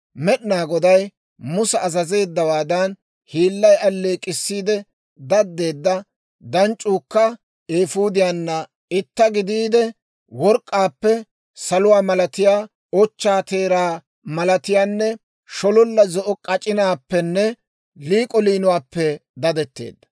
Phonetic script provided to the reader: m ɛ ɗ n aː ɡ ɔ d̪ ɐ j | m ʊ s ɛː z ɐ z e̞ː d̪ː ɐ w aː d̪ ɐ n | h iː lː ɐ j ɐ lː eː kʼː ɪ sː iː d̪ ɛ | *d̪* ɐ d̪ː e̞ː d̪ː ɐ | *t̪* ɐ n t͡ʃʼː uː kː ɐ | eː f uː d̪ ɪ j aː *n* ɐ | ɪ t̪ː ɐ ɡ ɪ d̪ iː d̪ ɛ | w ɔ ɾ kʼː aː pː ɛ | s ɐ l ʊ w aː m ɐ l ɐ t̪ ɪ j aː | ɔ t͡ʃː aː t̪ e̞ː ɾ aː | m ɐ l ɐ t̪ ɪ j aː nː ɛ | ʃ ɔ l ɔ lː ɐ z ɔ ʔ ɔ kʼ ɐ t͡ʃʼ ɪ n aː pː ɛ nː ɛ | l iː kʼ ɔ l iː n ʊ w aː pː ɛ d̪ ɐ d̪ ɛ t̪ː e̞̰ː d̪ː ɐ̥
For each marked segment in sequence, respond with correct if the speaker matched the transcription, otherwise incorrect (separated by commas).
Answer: correct, incorrect, incorrect